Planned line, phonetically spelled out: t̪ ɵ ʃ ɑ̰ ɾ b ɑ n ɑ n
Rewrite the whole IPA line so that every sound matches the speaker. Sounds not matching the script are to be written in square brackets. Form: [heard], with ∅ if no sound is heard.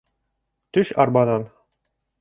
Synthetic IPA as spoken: t̪ ɵ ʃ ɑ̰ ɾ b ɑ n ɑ n